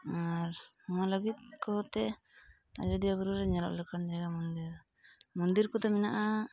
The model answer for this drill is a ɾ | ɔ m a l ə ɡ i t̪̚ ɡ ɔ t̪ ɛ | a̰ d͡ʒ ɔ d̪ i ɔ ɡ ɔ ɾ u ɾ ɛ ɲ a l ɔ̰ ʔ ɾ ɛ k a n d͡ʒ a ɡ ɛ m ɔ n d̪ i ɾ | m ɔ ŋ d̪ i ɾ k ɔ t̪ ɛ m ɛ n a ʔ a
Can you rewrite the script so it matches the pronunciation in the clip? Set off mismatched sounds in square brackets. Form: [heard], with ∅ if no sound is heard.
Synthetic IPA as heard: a ɾ | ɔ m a l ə ɡ i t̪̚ [k] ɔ t̪ ɛ | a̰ d͡ʒ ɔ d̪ i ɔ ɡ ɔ ɾ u ɾ ɛ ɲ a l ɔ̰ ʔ [l] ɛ k a n d͡ʒ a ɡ [a] m ɔ n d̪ i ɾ | m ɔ [n] d̪ i ɾ k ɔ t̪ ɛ m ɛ n a ʔ a